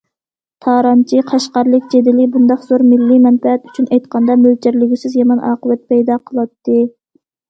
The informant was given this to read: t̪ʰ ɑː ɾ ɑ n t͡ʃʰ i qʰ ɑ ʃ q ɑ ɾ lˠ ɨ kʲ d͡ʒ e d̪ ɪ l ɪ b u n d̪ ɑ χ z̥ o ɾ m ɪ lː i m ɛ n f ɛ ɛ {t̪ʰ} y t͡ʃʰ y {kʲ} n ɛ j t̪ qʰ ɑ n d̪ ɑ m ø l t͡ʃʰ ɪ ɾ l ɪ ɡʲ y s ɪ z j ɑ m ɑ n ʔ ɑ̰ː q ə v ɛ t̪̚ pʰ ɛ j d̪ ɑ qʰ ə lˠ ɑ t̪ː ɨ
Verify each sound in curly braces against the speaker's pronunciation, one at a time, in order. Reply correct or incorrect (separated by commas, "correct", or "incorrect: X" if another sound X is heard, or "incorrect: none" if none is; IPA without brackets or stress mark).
incorrect: t̪, incorrect: none